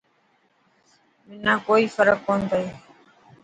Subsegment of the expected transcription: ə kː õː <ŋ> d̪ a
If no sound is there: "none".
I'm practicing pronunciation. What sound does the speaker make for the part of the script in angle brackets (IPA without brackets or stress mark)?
n